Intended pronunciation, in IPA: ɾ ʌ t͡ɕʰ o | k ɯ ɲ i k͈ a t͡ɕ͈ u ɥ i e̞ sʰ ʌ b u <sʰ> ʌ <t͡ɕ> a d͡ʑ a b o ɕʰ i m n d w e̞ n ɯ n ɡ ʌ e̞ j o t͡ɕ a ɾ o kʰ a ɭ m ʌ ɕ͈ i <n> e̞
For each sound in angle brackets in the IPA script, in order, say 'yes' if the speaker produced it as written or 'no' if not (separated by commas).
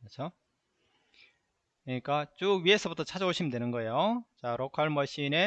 no, no, yes